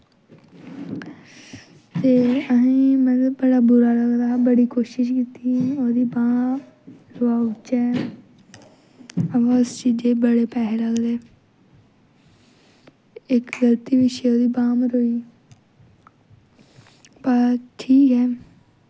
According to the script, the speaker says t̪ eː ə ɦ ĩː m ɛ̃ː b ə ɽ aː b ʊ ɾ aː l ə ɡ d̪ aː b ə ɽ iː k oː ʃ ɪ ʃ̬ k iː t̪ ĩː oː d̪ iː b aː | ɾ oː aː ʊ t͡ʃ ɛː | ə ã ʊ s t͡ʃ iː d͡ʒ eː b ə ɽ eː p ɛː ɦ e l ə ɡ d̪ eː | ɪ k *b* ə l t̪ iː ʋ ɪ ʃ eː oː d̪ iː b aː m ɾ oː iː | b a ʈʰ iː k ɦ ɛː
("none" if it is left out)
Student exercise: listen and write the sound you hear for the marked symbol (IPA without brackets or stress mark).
ɡ